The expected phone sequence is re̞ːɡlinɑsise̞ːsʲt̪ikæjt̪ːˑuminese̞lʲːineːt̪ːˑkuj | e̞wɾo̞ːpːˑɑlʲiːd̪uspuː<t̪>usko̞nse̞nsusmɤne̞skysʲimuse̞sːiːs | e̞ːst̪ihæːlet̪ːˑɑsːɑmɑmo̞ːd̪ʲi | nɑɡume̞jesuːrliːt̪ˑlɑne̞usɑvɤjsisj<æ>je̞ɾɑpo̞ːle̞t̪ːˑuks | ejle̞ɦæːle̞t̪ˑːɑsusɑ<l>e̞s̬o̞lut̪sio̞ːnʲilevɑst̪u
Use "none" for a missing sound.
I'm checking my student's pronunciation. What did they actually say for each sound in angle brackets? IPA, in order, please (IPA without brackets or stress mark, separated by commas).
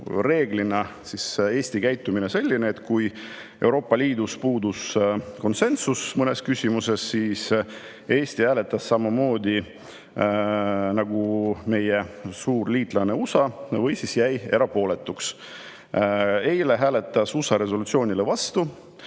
d̪, æ, ɾ